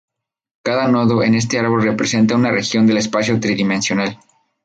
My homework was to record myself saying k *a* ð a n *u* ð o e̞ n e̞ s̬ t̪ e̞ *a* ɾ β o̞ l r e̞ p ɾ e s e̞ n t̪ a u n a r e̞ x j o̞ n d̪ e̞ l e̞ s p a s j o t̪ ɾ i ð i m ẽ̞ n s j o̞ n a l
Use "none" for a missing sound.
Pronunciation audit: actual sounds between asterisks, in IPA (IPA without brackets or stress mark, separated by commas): a, o, a